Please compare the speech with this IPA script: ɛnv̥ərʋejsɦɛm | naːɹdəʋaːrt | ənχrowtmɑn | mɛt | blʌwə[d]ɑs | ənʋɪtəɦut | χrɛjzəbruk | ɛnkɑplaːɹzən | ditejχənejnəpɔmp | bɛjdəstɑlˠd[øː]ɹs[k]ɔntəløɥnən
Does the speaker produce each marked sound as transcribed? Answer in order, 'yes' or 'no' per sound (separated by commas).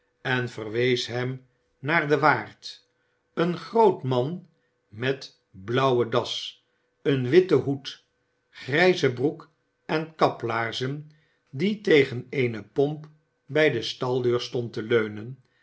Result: yes, yes, no